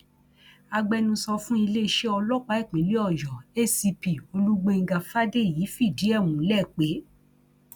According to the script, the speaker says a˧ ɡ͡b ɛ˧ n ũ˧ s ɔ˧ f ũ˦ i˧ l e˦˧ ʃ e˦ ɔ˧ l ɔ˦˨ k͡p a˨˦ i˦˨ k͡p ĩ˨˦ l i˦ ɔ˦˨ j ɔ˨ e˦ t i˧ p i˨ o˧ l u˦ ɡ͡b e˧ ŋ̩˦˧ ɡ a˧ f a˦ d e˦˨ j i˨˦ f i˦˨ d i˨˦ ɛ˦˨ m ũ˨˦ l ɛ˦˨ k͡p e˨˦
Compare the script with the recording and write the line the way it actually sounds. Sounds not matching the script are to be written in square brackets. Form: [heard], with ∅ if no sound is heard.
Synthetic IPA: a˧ ɡ͡b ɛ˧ n ũ˧ s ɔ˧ f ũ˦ i˧ l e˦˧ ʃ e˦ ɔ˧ l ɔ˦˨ k͡p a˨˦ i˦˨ k͡p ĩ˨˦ l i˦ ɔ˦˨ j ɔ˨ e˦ [s] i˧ p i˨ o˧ l u˦ ɡ͡b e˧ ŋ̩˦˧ ɡ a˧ f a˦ d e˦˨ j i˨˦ f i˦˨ d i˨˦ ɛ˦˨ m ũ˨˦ l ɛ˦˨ k͡p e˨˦

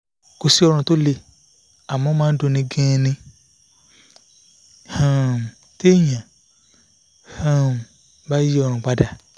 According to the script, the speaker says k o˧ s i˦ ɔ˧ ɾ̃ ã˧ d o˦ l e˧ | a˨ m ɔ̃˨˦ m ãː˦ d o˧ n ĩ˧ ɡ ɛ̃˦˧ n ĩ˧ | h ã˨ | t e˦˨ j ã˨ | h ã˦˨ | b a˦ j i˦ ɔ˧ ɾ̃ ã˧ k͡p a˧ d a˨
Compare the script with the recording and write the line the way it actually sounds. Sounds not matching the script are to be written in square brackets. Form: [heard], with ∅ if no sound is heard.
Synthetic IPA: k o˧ s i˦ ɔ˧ ɾ̃ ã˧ [t] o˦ l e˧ | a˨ m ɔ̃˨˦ m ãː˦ d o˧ n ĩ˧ ɡ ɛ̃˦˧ n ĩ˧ | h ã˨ | t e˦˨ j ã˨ | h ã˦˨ | b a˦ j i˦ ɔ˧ ɾ̃ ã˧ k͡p a˧ d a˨

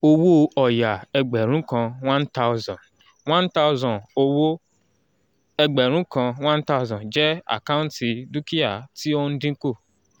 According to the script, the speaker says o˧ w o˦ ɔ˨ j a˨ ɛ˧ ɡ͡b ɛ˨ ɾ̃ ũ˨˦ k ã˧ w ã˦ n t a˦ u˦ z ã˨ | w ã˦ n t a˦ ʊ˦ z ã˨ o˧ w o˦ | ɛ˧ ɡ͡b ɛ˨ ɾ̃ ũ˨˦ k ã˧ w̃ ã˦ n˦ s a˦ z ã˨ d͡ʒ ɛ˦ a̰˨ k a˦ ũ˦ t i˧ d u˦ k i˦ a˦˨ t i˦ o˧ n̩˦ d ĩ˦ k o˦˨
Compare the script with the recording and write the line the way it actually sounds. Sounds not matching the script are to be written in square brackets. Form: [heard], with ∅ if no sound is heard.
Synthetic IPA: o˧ w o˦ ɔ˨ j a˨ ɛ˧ ɡ͡b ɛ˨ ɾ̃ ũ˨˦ k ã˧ w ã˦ n t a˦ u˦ z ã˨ | w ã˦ n t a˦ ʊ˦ z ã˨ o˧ w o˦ | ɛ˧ ɡ͡b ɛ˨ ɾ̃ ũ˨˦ k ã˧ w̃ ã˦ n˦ [t] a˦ z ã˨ d͡ʒ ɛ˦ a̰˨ k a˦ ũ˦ t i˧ d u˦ k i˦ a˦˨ t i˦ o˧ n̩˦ d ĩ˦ k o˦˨

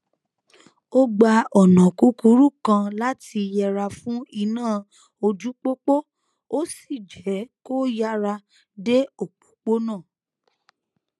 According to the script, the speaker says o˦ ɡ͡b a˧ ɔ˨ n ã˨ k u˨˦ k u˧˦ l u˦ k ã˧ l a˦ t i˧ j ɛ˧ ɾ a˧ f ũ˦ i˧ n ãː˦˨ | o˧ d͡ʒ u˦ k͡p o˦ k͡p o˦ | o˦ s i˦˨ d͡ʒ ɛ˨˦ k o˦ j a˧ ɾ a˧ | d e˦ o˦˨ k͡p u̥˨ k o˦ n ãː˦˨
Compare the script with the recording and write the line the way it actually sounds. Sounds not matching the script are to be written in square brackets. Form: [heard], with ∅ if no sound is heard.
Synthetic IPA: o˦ ɡ͡b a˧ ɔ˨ n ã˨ k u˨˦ k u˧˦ [ɾ] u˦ k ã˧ l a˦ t i˧ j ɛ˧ ɾ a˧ f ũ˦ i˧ n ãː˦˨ | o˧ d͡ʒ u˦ k͡p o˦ k͡p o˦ | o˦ s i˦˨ d͡ʒ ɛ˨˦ k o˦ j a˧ ɾ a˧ | d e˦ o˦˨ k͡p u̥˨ [k͡p] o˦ n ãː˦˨

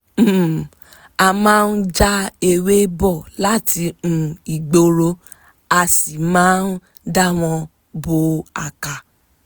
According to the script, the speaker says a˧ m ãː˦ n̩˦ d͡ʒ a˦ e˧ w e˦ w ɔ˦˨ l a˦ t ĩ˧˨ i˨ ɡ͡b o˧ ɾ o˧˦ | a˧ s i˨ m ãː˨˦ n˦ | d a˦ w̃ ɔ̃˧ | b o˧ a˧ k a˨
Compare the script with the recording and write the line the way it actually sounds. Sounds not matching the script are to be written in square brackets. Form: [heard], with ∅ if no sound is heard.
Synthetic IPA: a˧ m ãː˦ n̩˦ d͡ʒ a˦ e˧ w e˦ [b] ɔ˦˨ l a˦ t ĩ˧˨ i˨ ɡ͡b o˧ ɾ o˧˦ | a˧ s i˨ m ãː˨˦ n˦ | d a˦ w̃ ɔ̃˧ | b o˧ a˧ k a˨

